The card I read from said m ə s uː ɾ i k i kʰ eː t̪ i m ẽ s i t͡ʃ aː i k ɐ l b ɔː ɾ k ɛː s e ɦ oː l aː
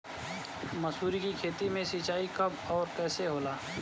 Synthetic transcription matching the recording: m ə s uː ɾ i k i kʰ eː t̪ i m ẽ s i t͡ʃ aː i k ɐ b ɔː ɾ k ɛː s e ɦ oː l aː